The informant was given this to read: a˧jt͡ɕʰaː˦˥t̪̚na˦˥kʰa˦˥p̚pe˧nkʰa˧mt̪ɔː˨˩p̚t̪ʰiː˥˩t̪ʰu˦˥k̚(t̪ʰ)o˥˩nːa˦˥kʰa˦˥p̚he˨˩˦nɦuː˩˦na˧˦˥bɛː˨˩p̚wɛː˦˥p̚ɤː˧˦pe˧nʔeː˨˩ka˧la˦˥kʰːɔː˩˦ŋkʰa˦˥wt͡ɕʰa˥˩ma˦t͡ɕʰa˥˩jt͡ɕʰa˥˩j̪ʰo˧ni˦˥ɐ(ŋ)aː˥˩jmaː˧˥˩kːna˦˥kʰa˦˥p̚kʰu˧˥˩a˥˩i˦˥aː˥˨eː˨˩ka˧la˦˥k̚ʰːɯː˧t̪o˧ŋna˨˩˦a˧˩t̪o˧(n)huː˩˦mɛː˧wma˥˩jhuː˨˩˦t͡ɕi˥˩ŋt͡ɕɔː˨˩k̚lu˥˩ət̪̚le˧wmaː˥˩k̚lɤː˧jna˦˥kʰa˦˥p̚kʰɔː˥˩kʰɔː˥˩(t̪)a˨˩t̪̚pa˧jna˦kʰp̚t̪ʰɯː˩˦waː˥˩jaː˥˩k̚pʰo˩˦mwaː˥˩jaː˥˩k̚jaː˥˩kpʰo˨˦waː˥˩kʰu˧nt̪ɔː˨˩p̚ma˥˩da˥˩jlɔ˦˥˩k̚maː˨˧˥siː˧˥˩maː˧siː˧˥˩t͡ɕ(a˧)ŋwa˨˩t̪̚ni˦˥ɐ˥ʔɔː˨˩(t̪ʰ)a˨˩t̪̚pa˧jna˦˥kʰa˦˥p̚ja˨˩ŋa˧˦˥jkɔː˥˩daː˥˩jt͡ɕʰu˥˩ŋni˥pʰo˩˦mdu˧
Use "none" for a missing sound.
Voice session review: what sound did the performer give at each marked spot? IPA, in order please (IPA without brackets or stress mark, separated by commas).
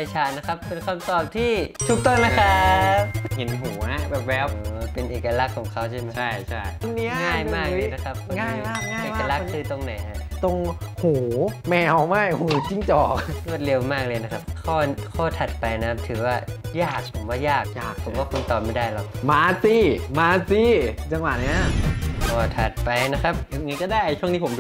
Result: t̪, ŋ, ŋ, t̪ʰ, a˧, t̪ʰ